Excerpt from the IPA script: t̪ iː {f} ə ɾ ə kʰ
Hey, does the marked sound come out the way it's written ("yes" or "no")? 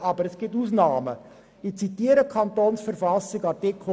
no